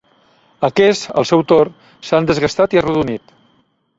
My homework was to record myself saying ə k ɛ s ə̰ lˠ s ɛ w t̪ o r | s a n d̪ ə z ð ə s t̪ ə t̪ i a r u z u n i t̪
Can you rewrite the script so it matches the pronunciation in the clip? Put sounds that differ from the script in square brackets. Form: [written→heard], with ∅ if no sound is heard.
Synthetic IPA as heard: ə k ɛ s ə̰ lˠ s ɛ w t̪ o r | s a n d̪ ə z [ð→ɣ] ə s t̪ [ə→a] t̪ i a r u [z→ð] u n i t̪